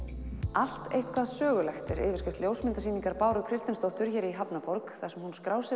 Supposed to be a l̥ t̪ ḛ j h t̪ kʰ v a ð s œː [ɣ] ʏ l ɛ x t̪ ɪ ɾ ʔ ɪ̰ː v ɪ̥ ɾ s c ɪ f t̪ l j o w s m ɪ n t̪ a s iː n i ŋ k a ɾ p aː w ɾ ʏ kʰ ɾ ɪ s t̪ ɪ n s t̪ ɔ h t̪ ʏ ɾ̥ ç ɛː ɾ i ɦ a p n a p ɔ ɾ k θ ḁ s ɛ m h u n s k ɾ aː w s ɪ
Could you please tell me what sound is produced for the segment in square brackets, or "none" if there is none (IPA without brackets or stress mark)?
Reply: ɣ